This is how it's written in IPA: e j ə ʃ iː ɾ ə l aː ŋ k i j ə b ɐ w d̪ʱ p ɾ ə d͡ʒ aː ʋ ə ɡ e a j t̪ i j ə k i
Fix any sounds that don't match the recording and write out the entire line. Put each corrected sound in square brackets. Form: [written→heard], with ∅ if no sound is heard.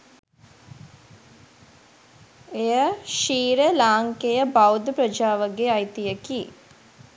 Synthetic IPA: e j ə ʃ iː ɾ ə l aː ŋ k [i→e] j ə b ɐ w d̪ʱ p ɾ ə d͡ʒ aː ʋ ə ɡ e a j t̪ i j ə k i